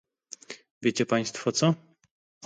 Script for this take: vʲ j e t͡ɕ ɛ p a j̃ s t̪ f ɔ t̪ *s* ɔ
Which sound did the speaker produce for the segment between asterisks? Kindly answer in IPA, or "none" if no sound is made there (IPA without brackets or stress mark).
s